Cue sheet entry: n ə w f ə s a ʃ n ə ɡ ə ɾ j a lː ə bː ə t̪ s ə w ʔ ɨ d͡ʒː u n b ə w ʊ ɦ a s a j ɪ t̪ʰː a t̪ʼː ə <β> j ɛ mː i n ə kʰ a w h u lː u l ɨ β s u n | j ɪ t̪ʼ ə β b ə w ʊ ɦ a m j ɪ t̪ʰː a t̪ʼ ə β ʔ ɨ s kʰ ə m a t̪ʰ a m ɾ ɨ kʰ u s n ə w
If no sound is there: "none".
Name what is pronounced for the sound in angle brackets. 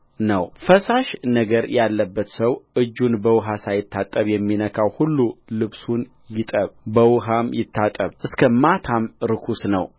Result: β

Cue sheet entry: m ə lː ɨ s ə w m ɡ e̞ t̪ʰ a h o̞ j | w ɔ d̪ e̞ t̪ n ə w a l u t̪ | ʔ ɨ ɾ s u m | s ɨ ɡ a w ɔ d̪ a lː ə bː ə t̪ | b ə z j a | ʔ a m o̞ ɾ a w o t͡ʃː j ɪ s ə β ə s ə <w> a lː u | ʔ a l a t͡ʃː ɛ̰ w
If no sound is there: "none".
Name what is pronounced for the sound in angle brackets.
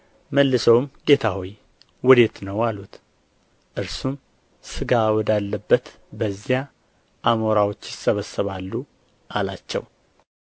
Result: β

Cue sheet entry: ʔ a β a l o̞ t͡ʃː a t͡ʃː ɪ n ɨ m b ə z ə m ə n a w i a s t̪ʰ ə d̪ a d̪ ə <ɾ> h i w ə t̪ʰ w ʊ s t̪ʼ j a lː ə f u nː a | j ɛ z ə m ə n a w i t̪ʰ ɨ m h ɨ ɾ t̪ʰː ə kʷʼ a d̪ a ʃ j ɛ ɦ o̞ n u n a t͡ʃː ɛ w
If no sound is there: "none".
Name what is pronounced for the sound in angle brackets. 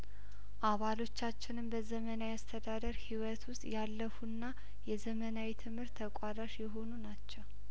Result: ɾ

